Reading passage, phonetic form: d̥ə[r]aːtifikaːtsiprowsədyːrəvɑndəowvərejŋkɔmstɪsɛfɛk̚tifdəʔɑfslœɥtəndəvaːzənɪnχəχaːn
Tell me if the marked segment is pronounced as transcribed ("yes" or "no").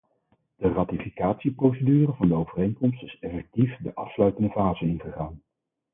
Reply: yes